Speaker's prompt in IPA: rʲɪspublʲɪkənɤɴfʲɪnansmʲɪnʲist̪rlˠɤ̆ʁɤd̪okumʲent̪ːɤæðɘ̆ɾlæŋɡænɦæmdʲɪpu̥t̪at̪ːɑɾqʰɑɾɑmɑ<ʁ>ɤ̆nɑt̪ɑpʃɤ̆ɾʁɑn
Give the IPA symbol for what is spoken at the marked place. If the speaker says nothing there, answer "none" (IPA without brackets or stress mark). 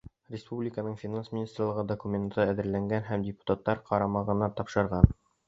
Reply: ʁ